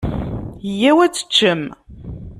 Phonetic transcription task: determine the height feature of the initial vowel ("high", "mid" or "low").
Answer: low